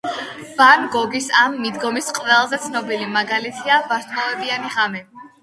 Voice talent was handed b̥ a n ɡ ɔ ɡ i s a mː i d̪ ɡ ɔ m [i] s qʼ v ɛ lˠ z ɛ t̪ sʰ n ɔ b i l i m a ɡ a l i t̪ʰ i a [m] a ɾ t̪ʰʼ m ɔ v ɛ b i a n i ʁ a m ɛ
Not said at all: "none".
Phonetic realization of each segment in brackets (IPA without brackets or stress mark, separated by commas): i, b